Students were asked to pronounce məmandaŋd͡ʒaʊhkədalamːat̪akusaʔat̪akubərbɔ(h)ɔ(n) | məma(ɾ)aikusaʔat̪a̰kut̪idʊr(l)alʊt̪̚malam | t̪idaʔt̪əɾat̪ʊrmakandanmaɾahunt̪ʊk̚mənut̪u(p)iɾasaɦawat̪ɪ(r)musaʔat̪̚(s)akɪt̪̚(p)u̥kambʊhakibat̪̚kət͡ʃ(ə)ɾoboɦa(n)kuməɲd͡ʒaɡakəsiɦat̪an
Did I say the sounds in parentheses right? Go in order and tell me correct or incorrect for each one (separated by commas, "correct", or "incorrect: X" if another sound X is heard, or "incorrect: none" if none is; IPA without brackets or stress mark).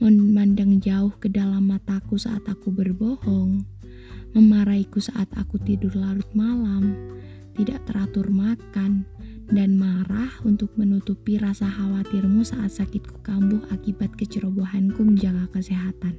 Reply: correct, incorrect: ŋ, correct, correct, correct, correct, correct, incorrect: k, correct, correct